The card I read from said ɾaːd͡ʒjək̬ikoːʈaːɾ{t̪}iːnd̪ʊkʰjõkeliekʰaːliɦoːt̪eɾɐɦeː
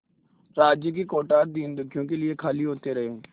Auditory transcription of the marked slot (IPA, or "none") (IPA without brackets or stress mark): d̪